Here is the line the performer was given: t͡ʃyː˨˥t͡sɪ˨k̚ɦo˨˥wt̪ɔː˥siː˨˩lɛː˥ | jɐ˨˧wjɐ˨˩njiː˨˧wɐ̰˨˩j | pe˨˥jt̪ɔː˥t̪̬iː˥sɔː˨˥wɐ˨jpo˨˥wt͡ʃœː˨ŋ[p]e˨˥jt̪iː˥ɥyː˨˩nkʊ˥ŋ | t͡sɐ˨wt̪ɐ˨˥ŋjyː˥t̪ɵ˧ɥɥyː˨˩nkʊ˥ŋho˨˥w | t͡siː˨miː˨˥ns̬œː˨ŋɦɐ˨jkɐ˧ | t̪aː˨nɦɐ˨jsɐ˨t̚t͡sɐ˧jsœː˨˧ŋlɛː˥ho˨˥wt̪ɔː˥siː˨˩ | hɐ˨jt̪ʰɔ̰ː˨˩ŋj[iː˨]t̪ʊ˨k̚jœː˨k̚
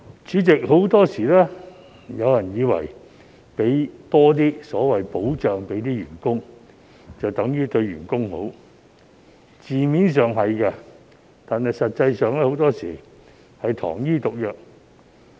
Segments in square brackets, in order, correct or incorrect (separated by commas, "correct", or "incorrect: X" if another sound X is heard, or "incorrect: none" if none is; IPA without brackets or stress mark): correct, incorrect: iː˥